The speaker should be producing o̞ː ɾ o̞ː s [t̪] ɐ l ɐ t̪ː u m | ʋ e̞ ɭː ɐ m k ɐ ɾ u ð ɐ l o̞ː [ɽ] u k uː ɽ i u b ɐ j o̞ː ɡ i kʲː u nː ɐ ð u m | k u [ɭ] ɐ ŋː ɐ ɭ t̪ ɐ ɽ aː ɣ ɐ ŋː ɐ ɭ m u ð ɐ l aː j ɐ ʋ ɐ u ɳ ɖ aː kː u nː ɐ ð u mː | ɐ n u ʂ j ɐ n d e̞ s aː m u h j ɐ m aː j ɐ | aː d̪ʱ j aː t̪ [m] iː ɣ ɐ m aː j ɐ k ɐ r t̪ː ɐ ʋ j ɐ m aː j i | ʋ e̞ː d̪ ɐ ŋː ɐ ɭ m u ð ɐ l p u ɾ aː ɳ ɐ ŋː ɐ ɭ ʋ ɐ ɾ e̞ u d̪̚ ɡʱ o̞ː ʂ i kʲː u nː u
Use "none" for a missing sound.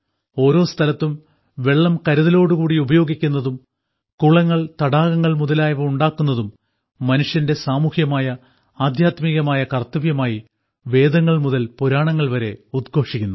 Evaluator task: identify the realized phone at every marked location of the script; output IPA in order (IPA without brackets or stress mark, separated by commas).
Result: t̪ʰ, ɽ, ɭ, m